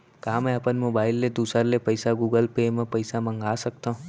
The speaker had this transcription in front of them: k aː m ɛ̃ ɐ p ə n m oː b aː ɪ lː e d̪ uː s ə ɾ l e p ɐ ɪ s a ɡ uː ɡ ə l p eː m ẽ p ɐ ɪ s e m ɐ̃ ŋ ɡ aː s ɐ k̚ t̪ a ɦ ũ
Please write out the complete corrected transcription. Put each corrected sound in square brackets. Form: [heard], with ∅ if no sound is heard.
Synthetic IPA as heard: k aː m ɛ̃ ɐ p ə n m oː b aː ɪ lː e d̪ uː s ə ɾ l e p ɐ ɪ s a ɡ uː ɡ ə l p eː m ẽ p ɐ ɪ s [a] m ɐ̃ ŋ ɡ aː s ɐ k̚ t̪ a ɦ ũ